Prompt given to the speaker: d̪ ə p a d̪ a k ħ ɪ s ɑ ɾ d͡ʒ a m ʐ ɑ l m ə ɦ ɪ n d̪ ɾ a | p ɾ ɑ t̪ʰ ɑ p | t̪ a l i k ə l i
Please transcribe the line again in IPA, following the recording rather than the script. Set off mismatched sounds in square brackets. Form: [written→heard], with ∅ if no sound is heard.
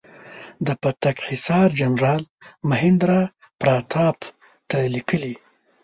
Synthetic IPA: d̪ ə p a [d̪→t̪] a k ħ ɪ s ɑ ɾ d͡ʒ a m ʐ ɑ l m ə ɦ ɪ n d̪ ɾ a | p ɾ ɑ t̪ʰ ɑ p | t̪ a l i k ə l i